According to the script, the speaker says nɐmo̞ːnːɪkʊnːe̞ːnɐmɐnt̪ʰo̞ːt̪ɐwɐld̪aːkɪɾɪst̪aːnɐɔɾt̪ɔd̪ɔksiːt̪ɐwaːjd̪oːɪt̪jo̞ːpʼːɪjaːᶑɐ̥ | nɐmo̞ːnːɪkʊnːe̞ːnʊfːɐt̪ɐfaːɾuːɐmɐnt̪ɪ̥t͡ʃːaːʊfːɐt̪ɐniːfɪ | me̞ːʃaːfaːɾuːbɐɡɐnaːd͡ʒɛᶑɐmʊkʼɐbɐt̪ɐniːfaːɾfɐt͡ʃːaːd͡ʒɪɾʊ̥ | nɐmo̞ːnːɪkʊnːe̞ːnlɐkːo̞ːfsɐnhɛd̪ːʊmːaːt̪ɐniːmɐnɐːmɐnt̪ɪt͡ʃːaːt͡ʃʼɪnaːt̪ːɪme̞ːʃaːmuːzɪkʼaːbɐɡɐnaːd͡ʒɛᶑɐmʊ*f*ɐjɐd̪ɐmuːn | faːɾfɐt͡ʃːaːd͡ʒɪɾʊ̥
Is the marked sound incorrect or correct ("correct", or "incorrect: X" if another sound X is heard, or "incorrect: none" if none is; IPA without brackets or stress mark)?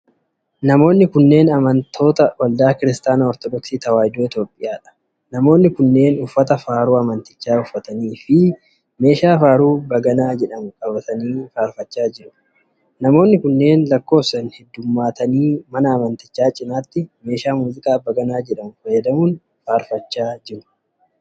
correct